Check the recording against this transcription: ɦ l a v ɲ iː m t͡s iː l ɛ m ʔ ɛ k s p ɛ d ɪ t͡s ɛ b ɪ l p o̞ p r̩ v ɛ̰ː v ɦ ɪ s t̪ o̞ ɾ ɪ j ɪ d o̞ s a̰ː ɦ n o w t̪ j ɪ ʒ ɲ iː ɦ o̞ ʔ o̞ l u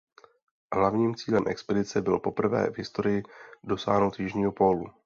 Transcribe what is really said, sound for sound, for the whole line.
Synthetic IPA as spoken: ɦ l a v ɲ iː m t͡s iː l ɛ m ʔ ɛ k s p ɛ d ɪ t͡s ɛ b ɪ l p o̞ p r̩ v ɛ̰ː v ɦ ɪ s t̪ o̞ ɾ ɪ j ɪ d o̞ s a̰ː ɦ n o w t̪ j ɪ ʒ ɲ iː ɦ o̞ p o̞ l u